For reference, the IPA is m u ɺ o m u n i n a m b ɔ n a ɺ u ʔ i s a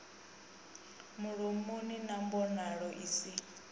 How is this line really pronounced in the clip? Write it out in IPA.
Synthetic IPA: m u ɺ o m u n i n a m b ɔ n a ɺ ɔ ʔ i s i